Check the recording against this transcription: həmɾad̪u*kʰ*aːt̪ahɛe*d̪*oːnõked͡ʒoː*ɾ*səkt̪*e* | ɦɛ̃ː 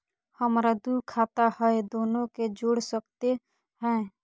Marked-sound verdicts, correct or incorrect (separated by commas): correct, correct, incorrect, correct